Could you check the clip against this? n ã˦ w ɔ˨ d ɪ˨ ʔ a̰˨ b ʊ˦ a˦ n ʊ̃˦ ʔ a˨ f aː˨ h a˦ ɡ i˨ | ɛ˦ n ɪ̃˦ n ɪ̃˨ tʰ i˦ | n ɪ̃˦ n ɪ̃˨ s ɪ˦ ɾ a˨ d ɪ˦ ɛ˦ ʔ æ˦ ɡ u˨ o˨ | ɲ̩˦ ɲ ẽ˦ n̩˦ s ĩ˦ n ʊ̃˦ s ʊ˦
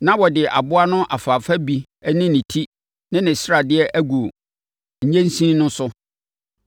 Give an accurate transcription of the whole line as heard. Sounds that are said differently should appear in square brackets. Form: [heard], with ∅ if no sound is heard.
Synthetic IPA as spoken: n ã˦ w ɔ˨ d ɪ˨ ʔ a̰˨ b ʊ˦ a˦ n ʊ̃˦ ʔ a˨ f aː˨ [f] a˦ [b] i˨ | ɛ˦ n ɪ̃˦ n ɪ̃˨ tʰ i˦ | n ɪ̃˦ n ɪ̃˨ s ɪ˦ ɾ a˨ d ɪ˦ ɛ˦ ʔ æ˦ ɡ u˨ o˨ | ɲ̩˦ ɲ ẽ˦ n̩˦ s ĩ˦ n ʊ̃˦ s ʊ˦

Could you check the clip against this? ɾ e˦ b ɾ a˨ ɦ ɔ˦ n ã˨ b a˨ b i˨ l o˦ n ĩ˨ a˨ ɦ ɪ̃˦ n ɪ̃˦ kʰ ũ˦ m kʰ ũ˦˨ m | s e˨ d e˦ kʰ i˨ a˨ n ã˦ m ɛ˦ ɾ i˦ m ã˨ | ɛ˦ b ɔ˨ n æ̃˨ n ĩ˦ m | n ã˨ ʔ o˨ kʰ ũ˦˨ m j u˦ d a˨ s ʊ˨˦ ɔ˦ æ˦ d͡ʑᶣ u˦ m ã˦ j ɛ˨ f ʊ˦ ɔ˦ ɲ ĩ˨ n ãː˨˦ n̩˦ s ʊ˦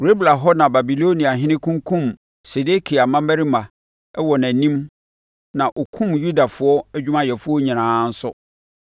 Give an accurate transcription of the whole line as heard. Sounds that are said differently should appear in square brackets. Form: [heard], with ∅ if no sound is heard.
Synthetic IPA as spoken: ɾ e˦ b [l] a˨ ɦ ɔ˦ n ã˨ b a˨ b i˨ l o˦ n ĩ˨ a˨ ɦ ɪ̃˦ n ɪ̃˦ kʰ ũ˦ [ŋ] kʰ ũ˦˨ m | s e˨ d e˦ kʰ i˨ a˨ [m] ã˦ m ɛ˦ ɾ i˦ m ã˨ | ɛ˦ [w] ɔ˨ n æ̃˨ n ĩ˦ m | n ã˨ ʔ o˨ kʰ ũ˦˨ m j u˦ d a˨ [f] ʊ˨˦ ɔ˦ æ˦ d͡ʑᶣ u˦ m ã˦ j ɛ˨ f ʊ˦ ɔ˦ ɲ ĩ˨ n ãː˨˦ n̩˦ s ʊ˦

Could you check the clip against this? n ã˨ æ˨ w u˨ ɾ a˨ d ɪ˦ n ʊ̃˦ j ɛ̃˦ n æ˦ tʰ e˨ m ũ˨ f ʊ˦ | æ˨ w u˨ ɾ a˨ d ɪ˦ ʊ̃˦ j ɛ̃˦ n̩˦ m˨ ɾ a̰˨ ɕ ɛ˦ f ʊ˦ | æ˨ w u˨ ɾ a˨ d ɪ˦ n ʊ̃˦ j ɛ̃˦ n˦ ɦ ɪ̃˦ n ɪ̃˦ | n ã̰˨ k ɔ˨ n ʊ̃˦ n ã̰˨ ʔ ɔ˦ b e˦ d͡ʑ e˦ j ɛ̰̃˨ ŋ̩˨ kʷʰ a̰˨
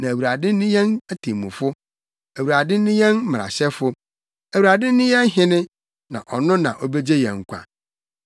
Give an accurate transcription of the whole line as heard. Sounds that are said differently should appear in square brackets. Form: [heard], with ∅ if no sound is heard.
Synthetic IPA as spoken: n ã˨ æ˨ w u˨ ɾ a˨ d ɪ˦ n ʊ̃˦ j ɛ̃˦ n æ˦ tʰ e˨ m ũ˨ f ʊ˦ | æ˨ w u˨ ɾ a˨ d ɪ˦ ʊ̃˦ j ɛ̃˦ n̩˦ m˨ ɾ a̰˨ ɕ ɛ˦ f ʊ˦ | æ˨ w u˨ ɾ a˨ d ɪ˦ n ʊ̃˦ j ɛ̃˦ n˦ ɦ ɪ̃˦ n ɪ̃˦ | n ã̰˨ [ʔ] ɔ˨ n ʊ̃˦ n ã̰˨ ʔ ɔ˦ b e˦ d͡ʑ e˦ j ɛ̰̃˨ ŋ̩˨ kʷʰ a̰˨

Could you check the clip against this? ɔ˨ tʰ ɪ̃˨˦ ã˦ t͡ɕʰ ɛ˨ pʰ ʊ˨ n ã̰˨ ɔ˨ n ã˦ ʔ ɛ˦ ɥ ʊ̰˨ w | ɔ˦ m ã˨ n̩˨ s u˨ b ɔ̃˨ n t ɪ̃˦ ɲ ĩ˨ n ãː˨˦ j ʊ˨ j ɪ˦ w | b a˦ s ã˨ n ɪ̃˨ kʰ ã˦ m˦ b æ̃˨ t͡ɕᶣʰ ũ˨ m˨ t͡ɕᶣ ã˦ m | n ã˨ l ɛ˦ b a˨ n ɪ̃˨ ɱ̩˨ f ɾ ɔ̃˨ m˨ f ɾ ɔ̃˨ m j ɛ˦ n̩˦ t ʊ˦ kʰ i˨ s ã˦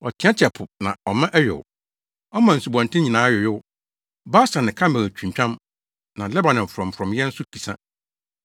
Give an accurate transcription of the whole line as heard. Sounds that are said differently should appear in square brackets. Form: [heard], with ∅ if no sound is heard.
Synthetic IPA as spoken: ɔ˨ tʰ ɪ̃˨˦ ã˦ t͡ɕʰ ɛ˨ pʰ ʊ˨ n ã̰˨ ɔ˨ [m] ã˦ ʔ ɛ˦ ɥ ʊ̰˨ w | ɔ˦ m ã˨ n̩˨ s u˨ b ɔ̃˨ n t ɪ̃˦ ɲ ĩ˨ n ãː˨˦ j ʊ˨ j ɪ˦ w | b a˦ s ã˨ n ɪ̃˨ kʰ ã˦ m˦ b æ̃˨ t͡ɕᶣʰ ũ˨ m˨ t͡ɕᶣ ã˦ m | n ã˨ l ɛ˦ b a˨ n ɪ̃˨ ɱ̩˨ f ɾ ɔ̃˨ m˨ f ɾ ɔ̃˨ m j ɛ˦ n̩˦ [s] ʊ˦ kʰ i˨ s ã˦

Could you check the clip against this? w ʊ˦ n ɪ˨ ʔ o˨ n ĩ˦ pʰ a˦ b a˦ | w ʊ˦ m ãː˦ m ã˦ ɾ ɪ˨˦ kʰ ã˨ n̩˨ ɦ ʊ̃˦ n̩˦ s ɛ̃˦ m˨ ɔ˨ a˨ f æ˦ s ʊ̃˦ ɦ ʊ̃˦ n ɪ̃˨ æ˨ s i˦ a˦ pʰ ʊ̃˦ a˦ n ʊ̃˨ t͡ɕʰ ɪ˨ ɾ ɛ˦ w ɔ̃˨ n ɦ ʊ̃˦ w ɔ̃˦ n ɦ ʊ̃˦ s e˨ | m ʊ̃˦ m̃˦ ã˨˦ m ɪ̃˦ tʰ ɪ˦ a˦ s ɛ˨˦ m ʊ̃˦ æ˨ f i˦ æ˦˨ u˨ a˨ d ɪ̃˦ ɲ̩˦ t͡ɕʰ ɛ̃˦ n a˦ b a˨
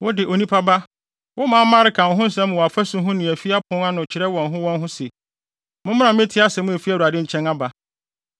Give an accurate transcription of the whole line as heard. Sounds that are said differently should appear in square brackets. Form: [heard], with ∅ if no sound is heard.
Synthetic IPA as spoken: w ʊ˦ [d] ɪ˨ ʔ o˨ n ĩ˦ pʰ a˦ b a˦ | w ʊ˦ m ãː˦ m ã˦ ɾ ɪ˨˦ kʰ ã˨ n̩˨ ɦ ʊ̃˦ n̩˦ s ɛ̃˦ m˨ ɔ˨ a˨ f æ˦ s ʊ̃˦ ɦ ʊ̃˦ n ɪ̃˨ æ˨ [f] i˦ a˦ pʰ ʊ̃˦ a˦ n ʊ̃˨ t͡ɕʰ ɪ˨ ɾ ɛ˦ w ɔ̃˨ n ɦ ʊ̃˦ w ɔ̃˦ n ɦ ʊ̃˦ s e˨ | m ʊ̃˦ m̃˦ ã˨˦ m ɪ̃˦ tʰ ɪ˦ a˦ s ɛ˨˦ m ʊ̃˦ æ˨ f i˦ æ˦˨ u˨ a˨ d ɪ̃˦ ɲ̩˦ t͡ɕʰ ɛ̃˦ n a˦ b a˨

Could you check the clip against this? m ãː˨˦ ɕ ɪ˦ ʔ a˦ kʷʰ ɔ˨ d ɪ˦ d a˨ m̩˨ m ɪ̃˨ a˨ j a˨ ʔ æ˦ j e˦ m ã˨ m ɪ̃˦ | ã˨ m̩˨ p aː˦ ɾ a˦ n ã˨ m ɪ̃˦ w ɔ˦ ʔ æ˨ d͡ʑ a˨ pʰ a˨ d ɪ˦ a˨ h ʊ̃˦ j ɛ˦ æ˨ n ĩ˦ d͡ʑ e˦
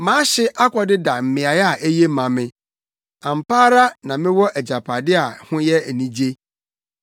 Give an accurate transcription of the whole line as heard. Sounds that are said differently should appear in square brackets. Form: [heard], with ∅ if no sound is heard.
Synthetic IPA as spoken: m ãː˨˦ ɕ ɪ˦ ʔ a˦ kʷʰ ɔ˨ d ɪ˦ d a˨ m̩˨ m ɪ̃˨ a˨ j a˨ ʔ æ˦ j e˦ m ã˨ m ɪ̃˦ | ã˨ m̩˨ p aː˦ ɾ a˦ n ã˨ m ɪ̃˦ w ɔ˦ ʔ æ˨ d͡ʑ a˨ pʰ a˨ d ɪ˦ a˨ h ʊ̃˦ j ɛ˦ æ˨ n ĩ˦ d͡ʑ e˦

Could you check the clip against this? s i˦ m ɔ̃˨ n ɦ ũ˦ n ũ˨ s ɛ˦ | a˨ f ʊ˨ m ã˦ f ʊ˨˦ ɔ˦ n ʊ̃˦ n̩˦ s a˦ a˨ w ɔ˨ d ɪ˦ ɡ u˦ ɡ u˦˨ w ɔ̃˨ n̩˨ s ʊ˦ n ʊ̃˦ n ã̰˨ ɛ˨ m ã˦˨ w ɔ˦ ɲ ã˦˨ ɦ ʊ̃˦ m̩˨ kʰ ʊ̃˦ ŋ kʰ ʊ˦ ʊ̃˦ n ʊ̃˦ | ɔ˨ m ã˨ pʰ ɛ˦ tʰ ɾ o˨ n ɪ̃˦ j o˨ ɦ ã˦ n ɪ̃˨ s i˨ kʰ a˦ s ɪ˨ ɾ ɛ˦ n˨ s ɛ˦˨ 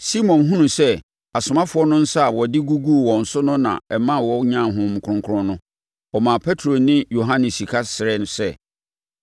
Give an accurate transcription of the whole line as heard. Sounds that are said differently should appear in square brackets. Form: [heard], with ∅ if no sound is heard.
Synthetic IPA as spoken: s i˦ m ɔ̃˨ n ɦ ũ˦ n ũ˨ s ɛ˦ | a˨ [s] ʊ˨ m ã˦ f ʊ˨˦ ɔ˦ n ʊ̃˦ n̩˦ s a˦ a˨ w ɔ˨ d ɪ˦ ɡ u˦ ɡ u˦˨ w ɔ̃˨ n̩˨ s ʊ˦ n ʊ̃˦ n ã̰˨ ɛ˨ m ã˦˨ w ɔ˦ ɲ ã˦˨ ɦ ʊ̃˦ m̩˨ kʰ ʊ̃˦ ŋ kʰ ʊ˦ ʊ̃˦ n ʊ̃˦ | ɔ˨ m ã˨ pʰ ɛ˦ tʰ ɾ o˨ n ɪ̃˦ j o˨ ɦ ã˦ n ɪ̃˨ s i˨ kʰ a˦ s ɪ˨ ɾ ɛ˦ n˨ s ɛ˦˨

